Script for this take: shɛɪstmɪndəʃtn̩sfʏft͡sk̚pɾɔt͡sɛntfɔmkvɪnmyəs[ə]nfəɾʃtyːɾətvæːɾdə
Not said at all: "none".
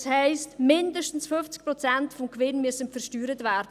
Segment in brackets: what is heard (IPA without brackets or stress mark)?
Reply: ə